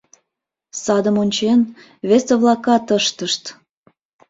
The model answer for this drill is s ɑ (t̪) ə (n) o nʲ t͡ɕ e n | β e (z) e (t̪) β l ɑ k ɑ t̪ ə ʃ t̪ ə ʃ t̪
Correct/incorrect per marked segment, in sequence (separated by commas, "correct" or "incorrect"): incorrect, incorrect, incorrect, incorrect